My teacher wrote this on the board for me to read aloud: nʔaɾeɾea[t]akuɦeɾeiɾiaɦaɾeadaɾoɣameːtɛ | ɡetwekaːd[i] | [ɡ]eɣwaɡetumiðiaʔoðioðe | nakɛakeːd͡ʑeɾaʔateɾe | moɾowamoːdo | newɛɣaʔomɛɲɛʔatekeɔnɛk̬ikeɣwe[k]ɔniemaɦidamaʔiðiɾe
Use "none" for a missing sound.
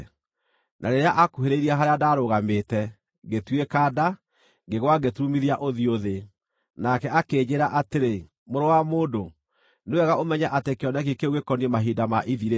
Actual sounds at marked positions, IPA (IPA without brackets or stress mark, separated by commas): ʔ, a, ɡ, k